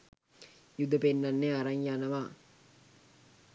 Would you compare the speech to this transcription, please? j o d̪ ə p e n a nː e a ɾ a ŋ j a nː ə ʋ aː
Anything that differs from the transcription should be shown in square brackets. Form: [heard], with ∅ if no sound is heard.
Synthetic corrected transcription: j [u] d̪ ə p e [nː] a nː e a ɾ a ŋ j a [n] ə ʋ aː